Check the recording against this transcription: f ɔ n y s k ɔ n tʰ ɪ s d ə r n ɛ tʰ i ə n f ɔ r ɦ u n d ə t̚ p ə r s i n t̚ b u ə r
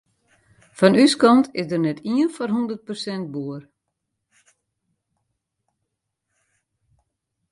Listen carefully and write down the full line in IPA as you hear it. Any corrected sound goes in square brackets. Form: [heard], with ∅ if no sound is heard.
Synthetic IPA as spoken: f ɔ n y s k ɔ n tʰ ɪ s d ə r n ɛ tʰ i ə n f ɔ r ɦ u n d ə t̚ p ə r s [ɛ] n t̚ b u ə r